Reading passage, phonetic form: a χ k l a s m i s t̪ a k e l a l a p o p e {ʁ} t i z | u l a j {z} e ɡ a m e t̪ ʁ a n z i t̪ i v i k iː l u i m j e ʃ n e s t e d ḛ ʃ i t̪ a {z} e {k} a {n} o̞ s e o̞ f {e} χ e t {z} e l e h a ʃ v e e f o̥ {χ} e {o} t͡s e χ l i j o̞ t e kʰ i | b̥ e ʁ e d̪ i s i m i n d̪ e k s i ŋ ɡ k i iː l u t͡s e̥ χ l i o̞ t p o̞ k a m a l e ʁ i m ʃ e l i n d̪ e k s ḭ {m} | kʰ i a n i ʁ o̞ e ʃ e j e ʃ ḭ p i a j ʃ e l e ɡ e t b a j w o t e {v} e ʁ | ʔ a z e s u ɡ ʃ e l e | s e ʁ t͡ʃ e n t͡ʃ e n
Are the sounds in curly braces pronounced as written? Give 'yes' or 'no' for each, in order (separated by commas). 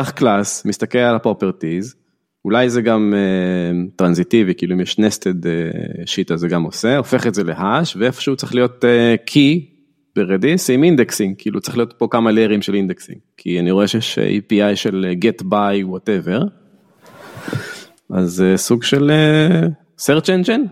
yes, yes, yes, no, no, yes, yes, no, no, no, yes